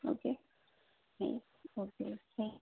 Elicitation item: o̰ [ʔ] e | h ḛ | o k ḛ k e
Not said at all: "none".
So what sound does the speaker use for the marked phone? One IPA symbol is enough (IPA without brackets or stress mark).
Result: k